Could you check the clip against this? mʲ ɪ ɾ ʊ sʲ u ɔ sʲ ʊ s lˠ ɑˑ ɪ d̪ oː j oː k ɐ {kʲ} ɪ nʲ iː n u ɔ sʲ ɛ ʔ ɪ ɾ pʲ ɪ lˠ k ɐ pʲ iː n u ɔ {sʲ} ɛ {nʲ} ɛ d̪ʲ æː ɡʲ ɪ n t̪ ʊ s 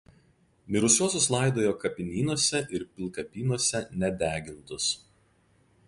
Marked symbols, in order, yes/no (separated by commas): no, yes, yes